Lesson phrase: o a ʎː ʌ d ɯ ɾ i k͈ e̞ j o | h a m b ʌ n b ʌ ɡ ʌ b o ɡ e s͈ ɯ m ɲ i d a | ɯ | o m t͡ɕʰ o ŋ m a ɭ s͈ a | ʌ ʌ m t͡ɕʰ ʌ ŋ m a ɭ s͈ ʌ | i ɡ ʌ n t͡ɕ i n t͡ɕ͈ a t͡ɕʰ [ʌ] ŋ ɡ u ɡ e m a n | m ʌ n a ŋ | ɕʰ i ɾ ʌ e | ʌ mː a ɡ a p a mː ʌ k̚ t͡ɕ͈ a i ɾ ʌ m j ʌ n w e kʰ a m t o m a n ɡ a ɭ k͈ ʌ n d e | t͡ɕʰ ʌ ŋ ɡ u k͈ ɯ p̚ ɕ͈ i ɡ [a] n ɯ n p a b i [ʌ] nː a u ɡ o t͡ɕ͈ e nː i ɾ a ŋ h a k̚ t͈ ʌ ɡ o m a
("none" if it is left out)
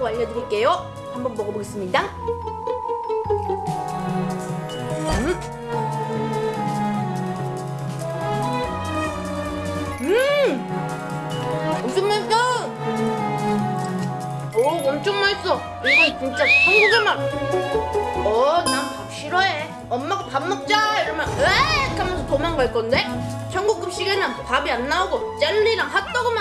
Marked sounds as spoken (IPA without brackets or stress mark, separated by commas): ʌ, e, a